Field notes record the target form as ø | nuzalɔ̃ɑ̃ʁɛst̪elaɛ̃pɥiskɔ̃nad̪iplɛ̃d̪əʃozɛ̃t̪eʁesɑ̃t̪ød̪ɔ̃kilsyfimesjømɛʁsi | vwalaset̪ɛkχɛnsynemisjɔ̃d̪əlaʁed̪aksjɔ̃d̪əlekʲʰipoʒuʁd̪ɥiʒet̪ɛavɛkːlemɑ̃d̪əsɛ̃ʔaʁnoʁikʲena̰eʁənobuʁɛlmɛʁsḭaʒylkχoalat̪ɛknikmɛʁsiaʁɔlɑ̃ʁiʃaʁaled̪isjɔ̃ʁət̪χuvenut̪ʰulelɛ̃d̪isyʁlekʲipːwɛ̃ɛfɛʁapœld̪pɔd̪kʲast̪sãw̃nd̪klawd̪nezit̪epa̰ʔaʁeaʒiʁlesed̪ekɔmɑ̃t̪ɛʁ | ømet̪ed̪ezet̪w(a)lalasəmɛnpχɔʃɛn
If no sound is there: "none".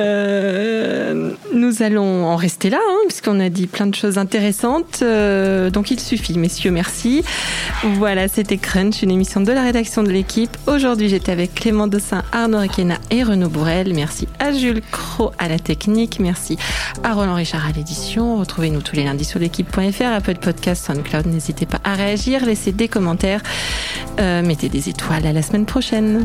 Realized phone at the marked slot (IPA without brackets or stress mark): a